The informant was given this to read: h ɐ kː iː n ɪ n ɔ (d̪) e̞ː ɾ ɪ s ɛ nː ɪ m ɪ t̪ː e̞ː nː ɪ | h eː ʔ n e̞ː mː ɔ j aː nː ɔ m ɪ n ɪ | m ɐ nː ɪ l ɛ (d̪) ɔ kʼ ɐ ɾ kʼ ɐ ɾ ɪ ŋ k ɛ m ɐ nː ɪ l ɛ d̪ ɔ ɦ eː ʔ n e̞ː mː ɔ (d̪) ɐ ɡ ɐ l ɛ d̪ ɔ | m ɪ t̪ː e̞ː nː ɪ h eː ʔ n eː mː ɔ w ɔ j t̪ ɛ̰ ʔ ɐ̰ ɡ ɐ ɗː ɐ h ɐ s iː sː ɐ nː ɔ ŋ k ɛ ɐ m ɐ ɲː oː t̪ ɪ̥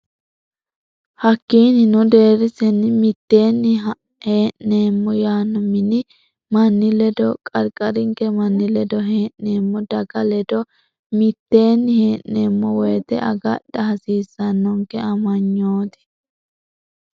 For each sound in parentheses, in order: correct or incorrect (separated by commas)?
correct, correct, correct